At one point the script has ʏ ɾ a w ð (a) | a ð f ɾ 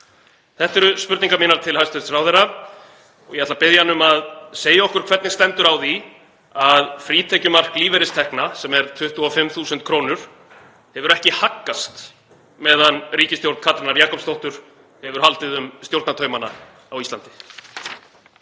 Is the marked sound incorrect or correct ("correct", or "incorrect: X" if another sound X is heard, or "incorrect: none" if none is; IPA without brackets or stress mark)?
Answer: incorrect: i